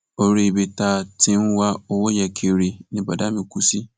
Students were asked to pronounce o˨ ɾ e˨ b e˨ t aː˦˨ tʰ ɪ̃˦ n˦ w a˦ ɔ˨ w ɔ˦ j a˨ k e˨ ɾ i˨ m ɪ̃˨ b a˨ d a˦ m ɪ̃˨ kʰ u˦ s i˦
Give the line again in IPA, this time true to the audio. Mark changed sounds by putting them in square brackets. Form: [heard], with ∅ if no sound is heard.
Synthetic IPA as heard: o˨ ɾ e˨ b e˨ t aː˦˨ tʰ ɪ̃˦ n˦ w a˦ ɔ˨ w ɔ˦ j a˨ [kʰ] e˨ ɾ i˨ [n] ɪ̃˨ b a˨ d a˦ m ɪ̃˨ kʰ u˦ s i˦